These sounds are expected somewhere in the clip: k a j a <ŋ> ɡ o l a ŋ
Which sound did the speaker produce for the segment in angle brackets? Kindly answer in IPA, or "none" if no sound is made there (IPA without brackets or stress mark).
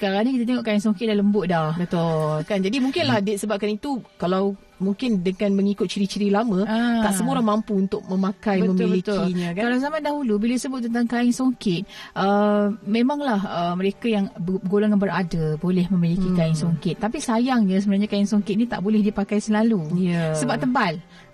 ŋ